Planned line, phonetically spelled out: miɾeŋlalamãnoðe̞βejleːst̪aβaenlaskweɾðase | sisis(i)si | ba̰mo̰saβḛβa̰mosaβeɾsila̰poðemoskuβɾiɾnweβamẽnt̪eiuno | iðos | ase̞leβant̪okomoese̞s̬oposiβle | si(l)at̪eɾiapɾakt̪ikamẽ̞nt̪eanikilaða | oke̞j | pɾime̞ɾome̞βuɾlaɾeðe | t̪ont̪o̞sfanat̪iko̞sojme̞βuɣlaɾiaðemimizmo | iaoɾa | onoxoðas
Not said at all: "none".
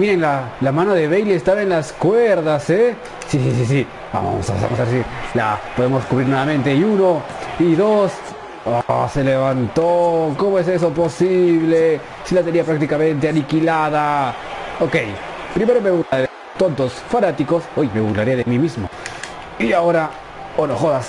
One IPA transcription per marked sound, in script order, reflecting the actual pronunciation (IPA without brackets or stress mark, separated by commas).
i, l